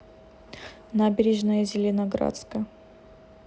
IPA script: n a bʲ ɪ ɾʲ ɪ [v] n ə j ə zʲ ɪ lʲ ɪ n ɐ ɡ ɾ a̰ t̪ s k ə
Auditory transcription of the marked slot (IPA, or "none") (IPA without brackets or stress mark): ʐ